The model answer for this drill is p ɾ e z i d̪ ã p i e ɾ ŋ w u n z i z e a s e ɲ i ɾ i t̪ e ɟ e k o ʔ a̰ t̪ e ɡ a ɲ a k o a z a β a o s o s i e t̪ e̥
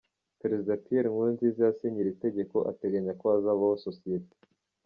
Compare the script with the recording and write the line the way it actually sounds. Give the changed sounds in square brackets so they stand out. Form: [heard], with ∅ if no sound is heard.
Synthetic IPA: p ɾ e z i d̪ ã p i e ɾ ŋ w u n z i z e a s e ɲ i ɾ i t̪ e ɟ e k o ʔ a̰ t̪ e ɡ a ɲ a k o a z a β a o s o s i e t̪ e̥

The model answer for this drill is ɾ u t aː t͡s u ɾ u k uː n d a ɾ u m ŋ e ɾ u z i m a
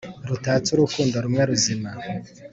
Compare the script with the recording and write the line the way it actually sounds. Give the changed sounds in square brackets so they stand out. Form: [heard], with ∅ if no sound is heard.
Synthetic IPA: ɾ u t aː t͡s u ɾ u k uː n d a ɾ u m ŋ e ɾ u z i m a

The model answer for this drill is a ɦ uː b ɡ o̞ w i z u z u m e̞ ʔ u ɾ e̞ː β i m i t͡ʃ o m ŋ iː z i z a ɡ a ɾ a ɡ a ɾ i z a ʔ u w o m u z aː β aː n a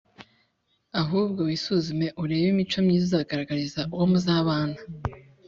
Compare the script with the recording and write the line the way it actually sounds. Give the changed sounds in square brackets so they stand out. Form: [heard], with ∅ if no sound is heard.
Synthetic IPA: a ɦ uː b ɡ o̞ w i [s] u z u m e̞ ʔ u ɾ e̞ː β i m i t͡ʃ o m [ɲ] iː z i z a ɡ a ɾ a ɡ a ɾ i z a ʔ u w o m u z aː β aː n a

